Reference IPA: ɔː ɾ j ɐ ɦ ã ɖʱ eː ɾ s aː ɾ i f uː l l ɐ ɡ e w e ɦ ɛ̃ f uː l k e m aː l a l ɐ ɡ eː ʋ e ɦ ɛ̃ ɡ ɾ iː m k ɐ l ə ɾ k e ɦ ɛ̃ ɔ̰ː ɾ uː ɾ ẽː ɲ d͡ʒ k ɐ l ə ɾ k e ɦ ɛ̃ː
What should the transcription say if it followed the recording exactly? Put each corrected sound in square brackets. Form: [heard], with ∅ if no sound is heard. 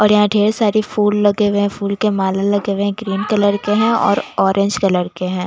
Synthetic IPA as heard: ɔː ɾ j ɐ ɦ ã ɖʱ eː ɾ s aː ɾ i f uː l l ɐ ɡ e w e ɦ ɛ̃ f uː l k e m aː l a l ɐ ɡ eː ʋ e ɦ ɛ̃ ɡ ɾ iː [n] k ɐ l ə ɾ k e ɦ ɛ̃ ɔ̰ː ɾ [ɔː] ɾ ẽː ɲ d͡ʒ k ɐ l ə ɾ k e ɦ ɛ̃ː